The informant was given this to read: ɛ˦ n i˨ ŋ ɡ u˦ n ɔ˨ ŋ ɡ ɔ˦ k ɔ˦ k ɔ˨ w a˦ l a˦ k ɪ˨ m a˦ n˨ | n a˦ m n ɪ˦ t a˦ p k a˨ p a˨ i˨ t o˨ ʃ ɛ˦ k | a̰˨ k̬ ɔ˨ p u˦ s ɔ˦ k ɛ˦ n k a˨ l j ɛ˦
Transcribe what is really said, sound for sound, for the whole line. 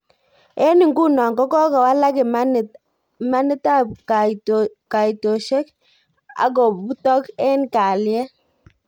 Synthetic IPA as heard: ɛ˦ n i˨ ŋ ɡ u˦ n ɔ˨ ŋ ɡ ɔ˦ k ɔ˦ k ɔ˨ w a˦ l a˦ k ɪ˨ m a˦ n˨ | m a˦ n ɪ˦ t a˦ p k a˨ k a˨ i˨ t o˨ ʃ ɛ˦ k | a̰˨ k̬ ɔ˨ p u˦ t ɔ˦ k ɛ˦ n k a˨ l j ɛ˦